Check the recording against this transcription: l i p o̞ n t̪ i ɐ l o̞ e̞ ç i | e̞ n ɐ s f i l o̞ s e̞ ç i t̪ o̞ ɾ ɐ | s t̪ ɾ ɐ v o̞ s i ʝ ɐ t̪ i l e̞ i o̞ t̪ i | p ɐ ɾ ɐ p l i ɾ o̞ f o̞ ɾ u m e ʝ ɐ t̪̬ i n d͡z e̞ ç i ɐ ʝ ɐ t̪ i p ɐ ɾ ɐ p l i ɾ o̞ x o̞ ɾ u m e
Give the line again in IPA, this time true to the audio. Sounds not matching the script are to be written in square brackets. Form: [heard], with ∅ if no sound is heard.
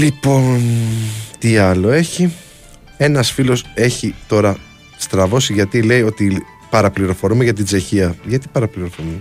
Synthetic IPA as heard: l i p o̞ n t̪ i ɐ l o̞ e̞ ç i | e̞ n ɐ s f i l o̞ s e̞ ç i t̪ o̞ ɾ ɐ | s t̪ ɾ ɐ v o̞ s i ʝ ɐ t̪ i l e̞ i o̞ t̪ i | p ɐ ɾ ɐ p l i ɾ o̞ f o̞ ɾ u m e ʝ ɐ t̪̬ i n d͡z e̞ ç i ɐ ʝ ɐ t̪ i p ɐ ɾ ɐ p l i ɾ o̞ [f] o̞ ɾ u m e